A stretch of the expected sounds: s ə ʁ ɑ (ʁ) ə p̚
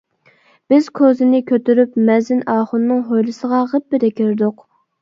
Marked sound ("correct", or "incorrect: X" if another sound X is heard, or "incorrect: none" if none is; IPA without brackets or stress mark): correct